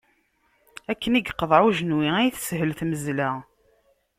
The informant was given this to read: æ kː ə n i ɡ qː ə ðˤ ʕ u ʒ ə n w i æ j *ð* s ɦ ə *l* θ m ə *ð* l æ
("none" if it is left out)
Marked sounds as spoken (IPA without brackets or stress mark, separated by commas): θ, l, z